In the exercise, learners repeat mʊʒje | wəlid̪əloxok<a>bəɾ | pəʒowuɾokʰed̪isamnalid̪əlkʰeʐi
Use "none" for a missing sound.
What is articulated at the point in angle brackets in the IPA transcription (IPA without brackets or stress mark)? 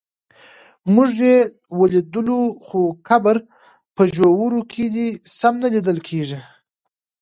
a